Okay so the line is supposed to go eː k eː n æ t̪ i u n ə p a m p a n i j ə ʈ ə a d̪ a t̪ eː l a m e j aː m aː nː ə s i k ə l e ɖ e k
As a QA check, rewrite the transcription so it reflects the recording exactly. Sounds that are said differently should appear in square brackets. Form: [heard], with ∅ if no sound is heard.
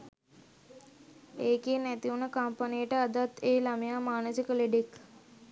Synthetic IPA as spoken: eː k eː n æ t̪ i u n ə [k] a m p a n i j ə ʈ ə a d̪ a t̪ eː l a m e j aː m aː [n] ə s i k ə l e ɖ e k